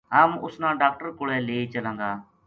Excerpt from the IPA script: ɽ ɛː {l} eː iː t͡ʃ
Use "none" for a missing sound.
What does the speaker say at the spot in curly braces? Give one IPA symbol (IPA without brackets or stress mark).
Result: l